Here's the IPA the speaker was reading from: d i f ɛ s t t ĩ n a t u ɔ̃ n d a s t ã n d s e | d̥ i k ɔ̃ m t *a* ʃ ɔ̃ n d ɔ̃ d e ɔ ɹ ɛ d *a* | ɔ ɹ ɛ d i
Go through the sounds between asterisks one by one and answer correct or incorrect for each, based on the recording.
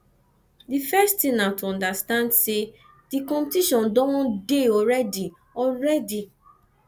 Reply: incorrect, incorrect

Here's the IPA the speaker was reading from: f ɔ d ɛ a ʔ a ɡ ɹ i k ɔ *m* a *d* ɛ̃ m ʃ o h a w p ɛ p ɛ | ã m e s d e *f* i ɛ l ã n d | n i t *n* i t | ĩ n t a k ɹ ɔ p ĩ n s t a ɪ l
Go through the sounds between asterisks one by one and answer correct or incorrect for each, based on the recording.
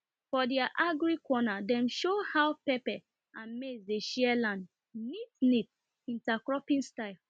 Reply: incorrect, correct, incorrect, correct

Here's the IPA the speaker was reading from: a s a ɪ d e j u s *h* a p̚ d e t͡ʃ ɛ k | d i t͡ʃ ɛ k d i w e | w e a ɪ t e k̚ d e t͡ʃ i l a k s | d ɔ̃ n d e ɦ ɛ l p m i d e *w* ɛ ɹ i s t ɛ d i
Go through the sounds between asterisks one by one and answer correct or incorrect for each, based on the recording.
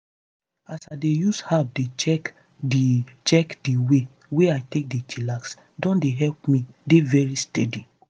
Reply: correct, incorrect

